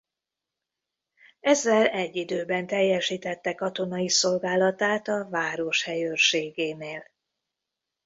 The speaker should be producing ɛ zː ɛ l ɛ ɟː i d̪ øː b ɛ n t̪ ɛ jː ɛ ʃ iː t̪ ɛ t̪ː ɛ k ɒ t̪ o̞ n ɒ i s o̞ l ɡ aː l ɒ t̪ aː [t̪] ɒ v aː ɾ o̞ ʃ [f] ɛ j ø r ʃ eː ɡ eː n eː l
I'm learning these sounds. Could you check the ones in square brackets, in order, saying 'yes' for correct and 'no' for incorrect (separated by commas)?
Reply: yes, no